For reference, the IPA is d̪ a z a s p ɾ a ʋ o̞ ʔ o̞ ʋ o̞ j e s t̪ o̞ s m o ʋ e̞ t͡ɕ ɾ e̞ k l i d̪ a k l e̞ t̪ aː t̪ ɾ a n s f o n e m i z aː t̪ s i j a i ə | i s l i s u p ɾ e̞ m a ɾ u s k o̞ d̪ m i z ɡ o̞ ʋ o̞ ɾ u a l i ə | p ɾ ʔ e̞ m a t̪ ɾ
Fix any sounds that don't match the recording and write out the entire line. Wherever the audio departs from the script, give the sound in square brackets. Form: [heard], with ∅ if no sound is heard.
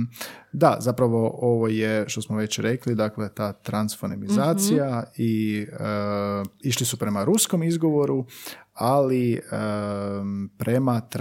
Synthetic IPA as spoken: d̪ a z a [∅] p ɾ a ʋ o̞ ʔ o̞ ʋ o̞ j e [ʃ] t̪ o̞ s m o ʋ e̞ t͡ɕ ɾ e̞ k l i d̪ a k l e̞ t̪ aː t̪ ɾ a n s f o n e m i z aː t̪ s i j a i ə | i [ʃ] l i s u p ɾ e̞ m a ɾ u s k o̞ [∅] m i z ɡ o̞ ʋ o̞ ɾ u a l i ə | p ɾ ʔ e̞ m a t̪ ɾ